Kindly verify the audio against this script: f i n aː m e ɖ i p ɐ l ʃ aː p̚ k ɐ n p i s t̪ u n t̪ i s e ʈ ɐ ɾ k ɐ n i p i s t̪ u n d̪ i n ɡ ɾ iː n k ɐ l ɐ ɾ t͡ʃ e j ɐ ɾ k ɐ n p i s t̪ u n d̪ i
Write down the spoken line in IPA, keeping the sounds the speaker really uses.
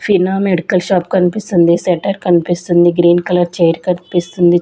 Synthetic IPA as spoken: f i n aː m e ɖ i k ɐ l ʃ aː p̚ k ɐ n p i s t̪ u n d̪ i s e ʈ ɐ ɾ k ɐ n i p i s t̪ u n d̪ i ɡ ɾ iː n k ɐ l ɐ ɾ t͡ʃ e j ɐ ɾ k ɐ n p i s t̪ u n d̪ i